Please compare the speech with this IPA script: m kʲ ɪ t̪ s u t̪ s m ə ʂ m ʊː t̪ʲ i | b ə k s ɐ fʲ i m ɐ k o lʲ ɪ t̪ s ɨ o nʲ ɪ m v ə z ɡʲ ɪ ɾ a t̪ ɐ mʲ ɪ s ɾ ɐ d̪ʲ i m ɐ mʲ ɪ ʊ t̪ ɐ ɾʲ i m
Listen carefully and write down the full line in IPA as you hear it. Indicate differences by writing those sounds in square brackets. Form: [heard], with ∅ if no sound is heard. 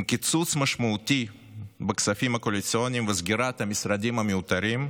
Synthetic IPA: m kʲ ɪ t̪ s u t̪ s m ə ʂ m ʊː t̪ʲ i | b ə k s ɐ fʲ i m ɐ k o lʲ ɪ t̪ s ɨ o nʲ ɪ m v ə z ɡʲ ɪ ɾ a t̪ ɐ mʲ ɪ s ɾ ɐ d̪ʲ i m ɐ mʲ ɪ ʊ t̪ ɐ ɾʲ i m